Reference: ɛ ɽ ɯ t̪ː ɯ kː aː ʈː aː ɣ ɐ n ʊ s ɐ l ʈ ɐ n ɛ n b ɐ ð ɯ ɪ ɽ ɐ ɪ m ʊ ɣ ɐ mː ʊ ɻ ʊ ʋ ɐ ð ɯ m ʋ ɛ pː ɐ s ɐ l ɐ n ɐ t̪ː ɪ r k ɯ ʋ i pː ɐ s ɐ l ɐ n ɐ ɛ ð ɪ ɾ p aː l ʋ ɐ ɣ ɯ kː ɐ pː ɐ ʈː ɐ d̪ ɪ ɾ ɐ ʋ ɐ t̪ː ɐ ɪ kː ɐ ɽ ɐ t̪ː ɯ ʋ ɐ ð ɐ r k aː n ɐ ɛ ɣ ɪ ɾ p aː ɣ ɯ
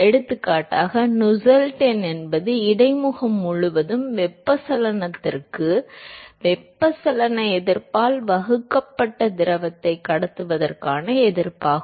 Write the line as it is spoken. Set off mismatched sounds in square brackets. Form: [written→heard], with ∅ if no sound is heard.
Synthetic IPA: ɛ ɽ ɯ t̪ː ɯ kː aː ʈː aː ɣ ɐ n ʊ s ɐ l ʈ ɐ n ɛ n b ɐ ð ɯ ɪ ɽ ɐ ɪ m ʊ ɣ ɐ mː ʊ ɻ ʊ ʋ ɐ ð ɯ m ʋ ɛ pː ɐ s ɐ l ɐ n ɐ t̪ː ɪ r k ɯ ʋ [i→ɛ] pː ɐ s ɐ l ɐ n ɐ ɛ ð ɪ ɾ p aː l ʋ ɐ ɣ ɯ kː ɐ pː ɐ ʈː ɐ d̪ ɪ ɾ ɐ ʋ ɐ t̪ː ɐ ɪ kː ɐ ɽ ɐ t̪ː ɯ ʋ ɐ ð ɐ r k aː n ɐ ɛ [ɣ→ð] ɪ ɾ p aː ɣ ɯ